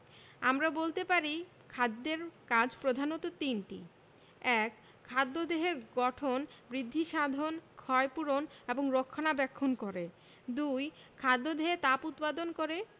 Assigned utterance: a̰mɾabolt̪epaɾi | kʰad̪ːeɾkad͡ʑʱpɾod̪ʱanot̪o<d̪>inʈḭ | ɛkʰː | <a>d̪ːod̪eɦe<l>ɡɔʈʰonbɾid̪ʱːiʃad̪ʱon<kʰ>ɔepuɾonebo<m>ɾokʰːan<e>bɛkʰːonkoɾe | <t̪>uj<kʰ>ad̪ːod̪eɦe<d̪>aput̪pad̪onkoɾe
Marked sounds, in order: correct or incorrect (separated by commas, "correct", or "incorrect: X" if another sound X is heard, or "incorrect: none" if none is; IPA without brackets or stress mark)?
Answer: incorrect: t̪, correct, incorrect: ɾ, correct, incorrect: ŋ, incorrect: a, incorrect: d̪, correct, incorrect: t̪